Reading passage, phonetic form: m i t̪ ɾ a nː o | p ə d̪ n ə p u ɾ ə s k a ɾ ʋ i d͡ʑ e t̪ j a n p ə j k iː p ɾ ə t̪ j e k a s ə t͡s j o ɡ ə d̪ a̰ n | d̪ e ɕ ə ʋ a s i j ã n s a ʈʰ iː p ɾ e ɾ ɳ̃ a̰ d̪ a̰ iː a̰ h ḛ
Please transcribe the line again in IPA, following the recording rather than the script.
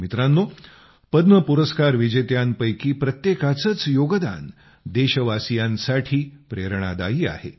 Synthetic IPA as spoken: m i t̪ ɾ a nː o | p ə d̪ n ə p u ɾ ə s k a ɾ ʋ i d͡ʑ e t̪ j a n p ə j k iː p ɾ ə t̪ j e k a t͡s ə t͡s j o ɡ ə d̪ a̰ n | d̪ e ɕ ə ʋ a s i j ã n s a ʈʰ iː p ɾ e ɾ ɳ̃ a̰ d̪ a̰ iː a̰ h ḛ